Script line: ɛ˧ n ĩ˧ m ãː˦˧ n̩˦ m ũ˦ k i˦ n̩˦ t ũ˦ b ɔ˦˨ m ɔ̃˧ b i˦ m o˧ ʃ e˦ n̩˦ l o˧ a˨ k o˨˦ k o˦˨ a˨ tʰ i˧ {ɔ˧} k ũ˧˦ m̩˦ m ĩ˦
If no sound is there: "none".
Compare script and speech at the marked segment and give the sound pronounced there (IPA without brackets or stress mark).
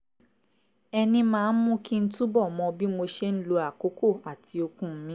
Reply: o˧